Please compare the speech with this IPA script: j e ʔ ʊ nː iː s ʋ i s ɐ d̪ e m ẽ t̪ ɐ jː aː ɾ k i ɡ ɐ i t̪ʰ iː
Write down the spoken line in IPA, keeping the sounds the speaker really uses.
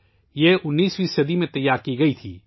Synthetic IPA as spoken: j e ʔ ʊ nː iː s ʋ i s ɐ d̪ i m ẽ t̪ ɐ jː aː ɾ k i ɡ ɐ i t̪ʰ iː